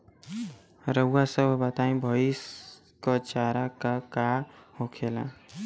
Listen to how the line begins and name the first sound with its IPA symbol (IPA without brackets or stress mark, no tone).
ɾ